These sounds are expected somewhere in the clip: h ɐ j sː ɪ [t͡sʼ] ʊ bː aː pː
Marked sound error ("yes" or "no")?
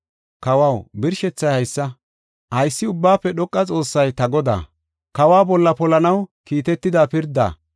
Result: yes